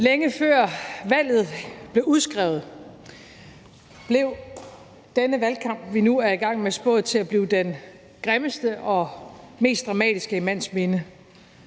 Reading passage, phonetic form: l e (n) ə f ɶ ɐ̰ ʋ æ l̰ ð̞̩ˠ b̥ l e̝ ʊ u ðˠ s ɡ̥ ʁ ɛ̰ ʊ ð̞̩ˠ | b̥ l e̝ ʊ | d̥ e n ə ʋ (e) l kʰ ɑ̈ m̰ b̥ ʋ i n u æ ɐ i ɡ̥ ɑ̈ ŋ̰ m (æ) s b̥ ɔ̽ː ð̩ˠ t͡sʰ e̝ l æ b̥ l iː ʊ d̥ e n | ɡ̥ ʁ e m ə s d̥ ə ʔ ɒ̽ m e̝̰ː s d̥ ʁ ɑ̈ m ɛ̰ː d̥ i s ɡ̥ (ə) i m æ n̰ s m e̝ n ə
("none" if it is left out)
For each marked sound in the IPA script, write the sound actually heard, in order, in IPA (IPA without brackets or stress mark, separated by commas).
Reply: ŋ, æ, e, ə